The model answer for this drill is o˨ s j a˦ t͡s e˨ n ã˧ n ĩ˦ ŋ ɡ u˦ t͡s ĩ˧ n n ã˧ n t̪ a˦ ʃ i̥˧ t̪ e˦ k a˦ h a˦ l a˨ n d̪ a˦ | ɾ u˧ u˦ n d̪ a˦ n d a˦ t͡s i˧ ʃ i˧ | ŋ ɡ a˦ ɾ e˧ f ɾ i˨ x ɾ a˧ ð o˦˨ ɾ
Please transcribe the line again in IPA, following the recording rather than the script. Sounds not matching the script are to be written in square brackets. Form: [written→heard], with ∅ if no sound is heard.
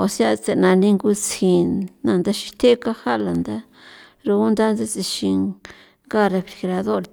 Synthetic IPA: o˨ s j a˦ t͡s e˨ n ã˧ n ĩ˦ ŋ ɡ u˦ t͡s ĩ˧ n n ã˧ n [t̪→d̪] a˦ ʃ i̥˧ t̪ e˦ k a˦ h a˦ l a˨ n d̪ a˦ | ɾ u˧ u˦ n d̪ a˦ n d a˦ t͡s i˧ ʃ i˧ | ŋ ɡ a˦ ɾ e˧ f ɾ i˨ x ɾ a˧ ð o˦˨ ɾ